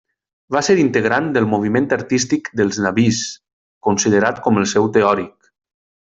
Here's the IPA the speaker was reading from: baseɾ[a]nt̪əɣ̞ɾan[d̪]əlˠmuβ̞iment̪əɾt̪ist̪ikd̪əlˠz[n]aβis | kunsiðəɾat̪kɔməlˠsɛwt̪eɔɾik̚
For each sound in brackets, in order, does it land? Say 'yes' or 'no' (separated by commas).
no, yes, yes